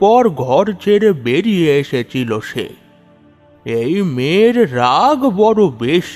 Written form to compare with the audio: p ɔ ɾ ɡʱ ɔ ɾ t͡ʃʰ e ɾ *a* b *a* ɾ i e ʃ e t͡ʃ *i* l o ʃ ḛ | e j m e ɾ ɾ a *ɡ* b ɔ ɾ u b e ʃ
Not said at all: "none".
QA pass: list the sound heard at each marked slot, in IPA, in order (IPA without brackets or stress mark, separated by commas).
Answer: e, e, i, ɡ